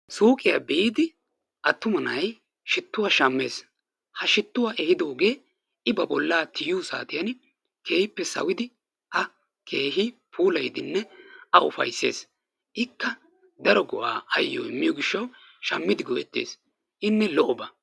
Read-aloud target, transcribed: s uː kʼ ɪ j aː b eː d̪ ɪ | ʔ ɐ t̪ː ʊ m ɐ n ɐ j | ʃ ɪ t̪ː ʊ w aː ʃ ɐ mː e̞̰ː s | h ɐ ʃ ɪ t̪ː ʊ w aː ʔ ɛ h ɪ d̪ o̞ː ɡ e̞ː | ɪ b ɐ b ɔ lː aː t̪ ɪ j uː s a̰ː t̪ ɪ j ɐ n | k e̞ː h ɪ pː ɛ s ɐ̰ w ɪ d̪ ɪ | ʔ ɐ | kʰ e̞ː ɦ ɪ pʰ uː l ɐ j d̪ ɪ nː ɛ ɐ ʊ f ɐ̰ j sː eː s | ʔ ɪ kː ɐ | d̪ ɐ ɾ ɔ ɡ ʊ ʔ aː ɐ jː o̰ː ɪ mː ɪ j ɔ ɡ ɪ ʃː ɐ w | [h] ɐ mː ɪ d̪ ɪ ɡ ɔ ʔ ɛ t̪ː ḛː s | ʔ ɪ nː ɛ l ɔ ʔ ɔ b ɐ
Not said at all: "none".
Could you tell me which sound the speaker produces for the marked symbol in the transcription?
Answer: ʃ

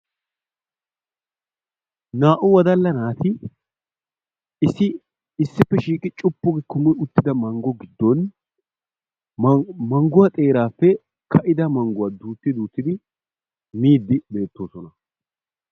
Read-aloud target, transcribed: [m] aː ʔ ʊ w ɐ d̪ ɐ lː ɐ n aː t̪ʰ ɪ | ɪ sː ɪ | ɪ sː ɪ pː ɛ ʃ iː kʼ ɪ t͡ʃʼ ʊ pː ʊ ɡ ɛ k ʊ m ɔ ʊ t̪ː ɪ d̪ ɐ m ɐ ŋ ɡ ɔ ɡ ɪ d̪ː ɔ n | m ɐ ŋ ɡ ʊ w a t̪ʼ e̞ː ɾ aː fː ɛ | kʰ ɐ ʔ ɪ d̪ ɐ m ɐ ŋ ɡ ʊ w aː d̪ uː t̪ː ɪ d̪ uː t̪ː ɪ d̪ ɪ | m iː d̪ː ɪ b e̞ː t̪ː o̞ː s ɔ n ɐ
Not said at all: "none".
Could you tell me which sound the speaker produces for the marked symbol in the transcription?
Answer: n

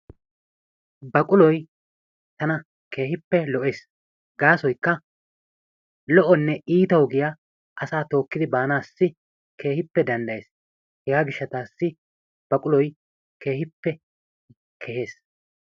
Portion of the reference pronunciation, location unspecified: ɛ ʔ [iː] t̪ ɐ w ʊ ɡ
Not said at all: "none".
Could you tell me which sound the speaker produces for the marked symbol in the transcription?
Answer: iː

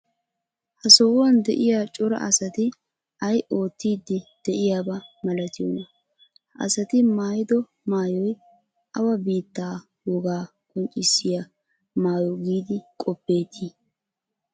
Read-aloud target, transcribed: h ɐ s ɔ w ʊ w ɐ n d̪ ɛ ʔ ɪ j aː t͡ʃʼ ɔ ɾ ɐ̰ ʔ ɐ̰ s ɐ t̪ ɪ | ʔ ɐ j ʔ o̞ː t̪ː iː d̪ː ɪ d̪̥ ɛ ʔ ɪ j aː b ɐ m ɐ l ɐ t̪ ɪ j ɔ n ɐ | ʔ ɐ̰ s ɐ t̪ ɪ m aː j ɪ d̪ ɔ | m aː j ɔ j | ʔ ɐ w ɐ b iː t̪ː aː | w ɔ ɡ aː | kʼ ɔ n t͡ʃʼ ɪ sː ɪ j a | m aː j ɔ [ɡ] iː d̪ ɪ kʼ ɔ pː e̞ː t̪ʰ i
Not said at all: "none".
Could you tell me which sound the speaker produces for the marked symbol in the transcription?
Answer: ɡ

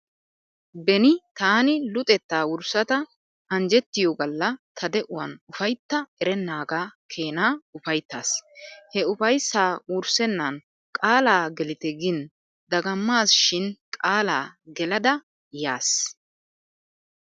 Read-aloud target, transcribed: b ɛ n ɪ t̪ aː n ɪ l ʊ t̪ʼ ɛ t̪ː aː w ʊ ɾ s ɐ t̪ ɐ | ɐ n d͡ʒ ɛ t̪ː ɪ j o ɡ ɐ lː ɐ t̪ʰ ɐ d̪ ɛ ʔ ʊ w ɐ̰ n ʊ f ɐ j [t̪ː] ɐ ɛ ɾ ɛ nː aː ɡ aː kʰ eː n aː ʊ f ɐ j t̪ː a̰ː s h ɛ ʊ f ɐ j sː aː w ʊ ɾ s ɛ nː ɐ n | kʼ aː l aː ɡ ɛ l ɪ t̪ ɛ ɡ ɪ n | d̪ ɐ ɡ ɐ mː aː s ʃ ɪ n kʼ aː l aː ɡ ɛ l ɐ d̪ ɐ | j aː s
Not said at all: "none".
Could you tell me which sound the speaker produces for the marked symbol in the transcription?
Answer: t̪ː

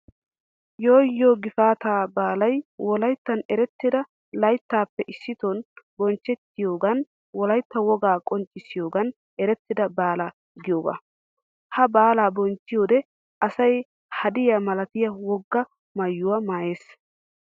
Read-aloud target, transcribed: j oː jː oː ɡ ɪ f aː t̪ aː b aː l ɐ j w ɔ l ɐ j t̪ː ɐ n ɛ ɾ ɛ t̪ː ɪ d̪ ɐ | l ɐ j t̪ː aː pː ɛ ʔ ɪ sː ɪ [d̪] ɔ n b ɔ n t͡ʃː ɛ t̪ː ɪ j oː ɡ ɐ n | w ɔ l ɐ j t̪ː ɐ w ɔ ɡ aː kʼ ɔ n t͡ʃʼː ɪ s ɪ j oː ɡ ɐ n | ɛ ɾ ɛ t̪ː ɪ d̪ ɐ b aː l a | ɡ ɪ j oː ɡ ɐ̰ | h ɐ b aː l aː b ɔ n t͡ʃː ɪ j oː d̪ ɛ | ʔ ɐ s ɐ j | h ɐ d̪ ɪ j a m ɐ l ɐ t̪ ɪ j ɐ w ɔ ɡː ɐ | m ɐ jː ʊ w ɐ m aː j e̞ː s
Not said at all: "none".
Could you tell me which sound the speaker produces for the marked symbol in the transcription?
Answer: t̪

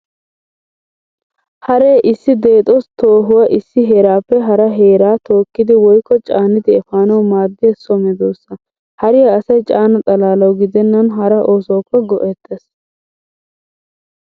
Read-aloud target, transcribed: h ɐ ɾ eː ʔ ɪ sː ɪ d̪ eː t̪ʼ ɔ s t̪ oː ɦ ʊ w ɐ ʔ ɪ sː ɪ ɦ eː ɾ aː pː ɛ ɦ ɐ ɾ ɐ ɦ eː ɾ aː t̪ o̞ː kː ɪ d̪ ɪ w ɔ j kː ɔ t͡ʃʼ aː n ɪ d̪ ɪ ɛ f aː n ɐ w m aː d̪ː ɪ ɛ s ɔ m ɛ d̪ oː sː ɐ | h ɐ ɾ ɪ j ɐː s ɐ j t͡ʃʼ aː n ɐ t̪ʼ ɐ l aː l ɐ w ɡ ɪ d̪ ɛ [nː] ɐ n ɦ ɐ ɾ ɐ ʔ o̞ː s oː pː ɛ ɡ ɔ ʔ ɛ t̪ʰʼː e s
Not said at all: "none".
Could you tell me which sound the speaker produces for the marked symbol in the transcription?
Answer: nː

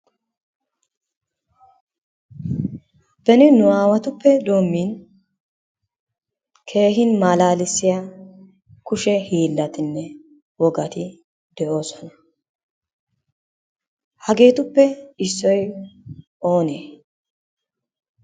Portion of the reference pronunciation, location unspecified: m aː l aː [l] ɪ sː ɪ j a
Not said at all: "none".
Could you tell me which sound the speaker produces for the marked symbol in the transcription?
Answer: l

